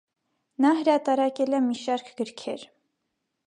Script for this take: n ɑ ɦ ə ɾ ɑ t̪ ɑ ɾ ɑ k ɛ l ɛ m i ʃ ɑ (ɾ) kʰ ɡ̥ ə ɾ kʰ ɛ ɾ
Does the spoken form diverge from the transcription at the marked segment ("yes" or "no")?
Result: no